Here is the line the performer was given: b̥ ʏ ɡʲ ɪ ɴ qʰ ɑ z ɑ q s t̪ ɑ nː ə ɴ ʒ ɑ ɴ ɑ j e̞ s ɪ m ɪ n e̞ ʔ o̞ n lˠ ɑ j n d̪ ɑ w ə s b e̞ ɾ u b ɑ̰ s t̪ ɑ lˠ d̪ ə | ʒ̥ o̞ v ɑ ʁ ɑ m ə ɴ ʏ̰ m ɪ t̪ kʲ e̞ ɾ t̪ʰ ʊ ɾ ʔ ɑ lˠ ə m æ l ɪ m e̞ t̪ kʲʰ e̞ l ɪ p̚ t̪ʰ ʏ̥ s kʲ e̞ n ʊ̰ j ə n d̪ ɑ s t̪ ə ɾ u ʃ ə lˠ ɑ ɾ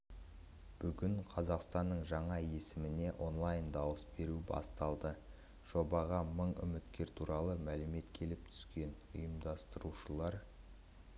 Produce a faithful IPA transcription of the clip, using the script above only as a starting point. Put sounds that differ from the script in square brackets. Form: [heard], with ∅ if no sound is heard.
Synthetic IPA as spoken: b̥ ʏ ɡʲ ɪ ɴ qʰ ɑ z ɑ q s t̪ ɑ nː ə ɴ ʒ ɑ ɴ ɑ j e̞ s ɪ m ɪ n e̞ ʔ o̞ n lˠ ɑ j n d̪ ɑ w ə s b e̞ ɾ u b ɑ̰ s t̪ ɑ lˠ d̪ ə | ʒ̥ o̞ [b] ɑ ʁ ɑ m ə ɴ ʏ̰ m ɪ t̪ kʲ e̞ ɾ t̪ʰ [u] ɾ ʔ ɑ lˠ ə m æ l ɪ m e̞ t̪ kʲʰ e̞ l ɪ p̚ t̪ʰ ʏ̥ s kʲ e̞ n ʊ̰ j ə [m] d̪ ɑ s t̪ ə ɾ u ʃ ə lˠ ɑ ɾ